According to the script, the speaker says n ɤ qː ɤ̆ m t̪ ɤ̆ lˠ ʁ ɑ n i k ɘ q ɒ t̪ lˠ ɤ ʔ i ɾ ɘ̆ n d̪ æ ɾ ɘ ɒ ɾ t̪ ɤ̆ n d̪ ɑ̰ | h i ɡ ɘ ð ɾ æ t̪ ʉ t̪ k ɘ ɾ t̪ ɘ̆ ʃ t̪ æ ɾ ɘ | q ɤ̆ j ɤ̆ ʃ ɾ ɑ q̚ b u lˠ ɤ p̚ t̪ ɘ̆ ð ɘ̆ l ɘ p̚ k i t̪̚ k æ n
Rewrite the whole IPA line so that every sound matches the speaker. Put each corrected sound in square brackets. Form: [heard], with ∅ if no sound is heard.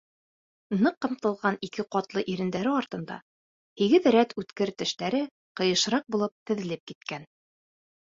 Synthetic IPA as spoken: n ɤ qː ɤ̆ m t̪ ɤ̆ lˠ ʁ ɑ n i k ɘ q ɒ t̪ lˠ ɤ ʔ i ɾ ɘ̆ n d̪ æ ɾ ɘ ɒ ɾ t̪ ɤ̆ n d̪ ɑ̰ | h i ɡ ɘ ð ɾ æ t̪ ʉ t̪ k ɘ ɾ t̪ ɘ̆ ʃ t̪ æ ɾ ɘ | q ɤ̆ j ɤ̆ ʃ ɾ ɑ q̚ b u lˠ ɤ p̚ t̪ ɘ̆ ð ɘ̆ l ɘ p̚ k i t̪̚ k æ n

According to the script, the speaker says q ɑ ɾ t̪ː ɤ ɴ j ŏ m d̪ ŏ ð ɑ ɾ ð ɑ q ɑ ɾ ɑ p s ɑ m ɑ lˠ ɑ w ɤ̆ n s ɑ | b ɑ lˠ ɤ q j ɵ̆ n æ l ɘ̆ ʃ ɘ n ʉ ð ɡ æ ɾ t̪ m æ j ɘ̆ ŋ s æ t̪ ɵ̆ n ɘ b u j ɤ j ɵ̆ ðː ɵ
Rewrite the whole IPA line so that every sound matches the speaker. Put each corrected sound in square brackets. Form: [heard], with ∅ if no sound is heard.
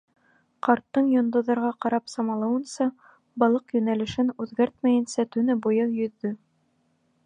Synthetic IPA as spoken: q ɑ ɾ t̪ː ɤ ɴ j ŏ [n] d̪ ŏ ð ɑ ɾ [ʁ] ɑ q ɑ ɾ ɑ p s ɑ m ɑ lˠ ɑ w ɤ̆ n s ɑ | b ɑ lˠ ɤ q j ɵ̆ n æ l ɘ̆ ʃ ɘ n ʉ ð ɡ æ ɾ t̪ m æ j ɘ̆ [n] s æ t̪ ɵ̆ n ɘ b u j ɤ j ɵ̆ ðː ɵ

